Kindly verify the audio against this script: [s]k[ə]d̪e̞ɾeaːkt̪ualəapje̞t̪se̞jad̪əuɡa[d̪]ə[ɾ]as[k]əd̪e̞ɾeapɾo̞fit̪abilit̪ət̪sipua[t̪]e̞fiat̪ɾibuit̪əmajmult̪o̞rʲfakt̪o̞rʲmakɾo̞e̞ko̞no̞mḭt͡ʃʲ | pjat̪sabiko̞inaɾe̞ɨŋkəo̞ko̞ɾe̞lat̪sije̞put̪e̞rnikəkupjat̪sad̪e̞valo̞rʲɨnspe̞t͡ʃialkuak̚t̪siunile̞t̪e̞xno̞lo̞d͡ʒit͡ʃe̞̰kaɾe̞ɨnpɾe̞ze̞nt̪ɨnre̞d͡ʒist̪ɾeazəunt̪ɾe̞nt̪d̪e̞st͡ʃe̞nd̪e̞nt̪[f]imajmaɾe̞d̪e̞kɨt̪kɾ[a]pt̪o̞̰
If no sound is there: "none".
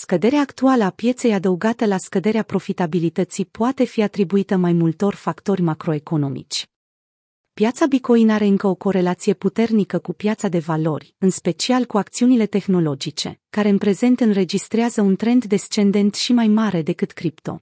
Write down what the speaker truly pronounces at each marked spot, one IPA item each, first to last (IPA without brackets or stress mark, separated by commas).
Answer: s, ə, t̪, l, k, t̪, ʃ, i